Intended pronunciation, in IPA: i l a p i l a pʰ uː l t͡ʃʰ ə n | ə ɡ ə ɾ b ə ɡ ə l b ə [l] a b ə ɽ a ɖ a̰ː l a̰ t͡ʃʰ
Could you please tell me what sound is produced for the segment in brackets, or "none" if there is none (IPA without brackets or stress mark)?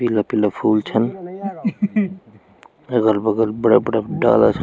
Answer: ɽ